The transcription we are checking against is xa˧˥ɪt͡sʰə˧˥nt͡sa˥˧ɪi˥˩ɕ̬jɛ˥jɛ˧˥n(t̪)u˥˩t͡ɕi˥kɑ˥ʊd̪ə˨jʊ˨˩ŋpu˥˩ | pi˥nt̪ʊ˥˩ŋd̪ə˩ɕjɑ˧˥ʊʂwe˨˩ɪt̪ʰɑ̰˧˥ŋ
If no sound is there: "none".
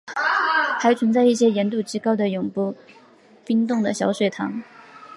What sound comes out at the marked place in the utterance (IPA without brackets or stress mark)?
t̪